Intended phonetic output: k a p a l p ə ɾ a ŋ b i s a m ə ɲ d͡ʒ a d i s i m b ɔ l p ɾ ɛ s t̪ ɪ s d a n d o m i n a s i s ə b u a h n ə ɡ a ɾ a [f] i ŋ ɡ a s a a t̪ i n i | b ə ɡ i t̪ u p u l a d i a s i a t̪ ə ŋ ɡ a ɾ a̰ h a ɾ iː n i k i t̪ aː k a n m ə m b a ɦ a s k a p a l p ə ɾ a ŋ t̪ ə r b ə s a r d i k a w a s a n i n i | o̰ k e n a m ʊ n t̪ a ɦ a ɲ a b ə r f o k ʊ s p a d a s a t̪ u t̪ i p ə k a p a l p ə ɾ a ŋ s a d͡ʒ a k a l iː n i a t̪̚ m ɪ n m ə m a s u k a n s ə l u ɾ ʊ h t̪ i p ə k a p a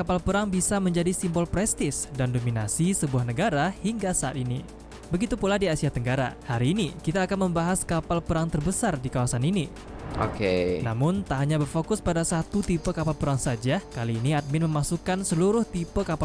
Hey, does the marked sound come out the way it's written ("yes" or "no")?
no